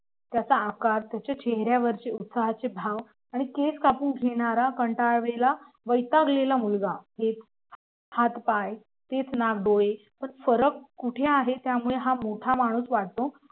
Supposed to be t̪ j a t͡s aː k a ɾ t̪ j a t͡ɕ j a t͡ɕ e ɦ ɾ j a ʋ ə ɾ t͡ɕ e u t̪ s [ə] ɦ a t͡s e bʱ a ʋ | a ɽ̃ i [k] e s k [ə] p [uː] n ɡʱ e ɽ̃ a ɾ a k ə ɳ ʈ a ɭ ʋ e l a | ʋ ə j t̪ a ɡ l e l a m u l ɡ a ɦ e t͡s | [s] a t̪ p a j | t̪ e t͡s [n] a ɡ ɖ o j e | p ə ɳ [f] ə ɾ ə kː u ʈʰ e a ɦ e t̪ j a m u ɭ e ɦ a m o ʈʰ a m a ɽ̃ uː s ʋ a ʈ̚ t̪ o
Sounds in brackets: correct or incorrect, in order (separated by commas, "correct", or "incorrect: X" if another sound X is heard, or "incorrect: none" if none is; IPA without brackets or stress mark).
incorrect: a, correct, incorrect: a, correct, incorrect: h, correct, correct